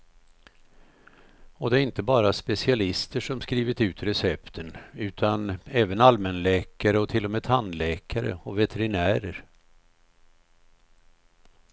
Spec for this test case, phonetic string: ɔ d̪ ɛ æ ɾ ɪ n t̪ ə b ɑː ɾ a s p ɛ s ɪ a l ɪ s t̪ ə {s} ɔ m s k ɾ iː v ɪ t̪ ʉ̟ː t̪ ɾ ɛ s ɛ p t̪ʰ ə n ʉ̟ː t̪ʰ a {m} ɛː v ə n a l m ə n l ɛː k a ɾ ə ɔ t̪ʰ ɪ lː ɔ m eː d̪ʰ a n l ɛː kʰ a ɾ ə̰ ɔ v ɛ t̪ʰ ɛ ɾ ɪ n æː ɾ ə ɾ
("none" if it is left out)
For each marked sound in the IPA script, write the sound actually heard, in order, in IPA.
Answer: ʂ, n

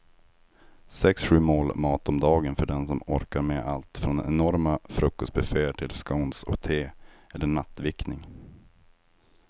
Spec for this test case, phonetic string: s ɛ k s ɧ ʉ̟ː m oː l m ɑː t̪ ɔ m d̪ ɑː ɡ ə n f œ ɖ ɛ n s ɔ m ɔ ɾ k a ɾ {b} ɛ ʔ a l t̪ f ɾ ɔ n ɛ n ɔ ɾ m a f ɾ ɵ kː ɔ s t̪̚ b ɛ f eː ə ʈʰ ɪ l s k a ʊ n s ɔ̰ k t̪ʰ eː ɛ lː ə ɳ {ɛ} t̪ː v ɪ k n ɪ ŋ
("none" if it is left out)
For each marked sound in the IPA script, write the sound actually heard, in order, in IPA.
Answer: m, a

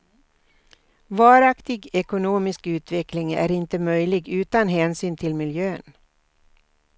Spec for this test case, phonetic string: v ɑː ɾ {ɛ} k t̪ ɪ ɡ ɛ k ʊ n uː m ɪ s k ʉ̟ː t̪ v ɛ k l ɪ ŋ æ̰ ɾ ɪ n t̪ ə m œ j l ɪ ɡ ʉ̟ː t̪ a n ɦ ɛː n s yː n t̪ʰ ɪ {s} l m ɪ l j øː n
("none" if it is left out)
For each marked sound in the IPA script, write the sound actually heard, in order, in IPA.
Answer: a, none

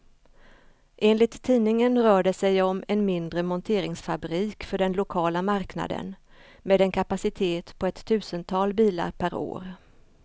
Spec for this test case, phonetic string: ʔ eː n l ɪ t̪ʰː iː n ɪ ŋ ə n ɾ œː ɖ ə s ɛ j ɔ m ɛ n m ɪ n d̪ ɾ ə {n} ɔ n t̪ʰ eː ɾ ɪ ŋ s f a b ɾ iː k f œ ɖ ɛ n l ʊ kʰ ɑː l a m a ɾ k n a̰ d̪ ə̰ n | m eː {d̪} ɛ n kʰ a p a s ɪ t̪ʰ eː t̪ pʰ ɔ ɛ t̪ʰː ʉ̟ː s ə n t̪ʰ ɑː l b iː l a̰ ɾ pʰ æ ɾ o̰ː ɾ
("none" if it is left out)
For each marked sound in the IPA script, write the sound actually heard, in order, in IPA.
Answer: m, d̪

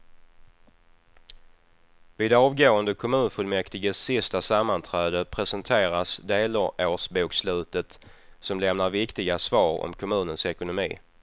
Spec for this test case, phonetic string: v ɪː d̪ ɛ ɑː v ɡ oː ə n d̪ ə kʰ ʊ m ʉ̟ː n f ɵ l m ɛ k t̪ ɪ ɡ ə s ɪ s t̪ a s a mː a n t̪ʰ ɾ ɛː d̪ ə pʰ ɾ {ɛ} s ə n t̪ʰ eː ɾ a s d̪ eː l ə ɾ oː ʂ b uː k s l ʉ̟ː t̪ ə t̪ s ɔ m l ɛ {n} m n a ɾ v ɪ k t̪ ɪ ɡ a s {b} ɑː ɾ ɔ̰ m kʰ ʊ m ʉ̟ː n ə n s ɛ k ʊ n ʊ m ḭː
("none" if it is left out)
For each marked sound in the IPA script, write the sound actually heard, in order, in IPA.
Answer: ɛ, none, v

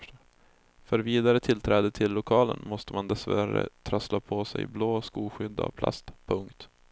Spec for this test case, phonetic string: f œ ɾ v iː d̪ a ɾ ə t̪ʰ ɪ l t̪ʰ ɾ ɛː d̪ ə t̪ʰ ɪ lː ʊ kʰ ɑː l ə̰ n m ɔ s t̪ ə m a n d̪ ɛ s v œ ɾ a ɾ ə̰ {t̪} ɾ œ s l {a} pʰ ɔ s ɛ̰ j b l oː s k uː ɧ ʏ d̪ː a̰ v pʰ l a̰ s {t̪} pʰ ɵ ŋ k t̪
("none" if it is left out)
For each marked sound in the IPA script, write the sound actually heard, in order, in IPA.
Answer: t̪ʰ, a, t̪

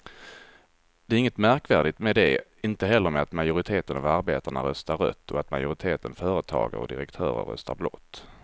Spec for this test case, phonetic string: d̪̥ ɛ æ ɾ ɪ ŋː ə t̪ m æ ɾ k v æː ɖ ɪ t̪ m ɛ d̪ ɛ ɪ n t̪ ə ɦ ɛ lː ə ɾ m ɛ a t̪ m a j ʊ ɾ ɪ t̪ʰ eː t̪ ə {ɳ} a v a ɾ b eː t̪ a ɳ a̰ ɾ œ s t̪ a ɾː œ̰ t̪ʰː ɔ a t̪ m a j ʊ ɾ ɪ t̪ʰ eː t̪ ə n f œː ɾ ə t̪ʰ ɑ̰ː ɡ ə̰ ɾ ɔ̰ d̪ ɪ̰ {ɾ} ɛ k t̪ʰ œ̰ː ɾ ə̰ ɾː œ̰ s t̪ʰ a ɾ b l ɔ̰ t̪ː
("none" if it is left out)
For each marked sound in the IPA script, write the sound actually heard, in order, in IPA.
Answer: n, ɾ

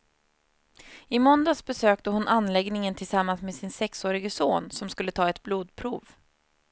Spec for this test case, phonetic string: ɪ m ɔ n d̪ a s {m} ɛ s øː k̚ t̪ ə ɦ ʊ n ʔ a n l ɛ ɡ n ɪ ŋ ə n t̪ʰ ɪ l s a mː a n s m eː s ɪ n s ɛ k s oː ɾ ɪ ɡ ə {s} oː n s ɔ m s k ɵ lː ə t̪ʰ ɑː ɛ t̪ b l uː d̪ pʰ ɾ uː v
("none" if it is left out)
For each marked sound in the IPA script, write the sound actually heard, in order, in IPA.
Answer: b, s

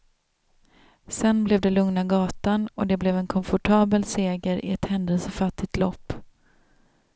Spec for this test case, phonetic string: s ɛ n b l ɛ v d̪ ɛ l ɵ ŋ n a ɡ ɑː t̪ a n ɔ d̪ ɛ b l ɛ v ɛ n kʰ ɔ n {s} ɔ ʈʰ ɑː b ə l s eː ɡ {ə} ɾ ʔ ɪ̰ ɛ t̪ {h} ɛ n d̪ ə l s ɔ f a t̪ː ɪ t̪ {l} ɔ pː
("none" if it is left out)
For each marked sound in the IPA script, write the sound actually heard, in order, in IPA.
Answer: f, ə, h, l

